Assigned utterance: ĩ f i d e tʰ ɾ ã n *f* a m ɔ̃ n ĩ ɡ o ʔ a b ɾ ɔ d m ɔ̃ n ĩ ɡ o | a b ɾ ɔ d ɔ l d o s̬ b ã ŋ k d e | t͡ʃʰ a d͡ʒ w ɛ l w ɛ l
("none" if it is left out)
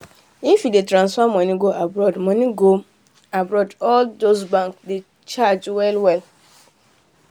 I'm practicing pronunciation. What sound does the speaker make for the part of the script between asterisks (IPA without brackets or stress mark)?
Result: s